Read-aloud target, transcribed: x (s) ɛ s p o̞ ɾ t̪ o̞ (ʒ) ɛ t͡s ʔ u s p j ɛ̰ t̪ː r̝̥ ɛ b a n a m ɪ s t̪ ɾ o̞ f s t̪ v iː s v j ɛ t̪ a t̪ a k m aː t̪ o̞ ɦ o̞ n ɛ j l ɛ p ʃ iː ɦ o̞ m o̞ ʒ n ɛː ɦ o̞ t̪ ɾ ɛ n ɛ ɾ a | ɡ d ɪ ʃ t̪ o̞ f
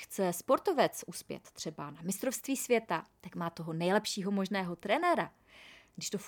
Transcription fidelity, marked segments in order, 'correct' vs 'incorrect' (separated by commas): incorrect, incorrect